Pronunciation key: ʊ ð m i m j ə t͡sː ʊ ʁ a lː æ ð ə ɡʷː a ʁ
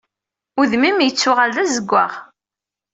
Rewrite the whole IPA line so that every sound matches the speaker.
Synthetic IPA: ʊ ð m i m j ə t͡sː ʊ ʁ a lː æ z ə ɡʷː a ʁ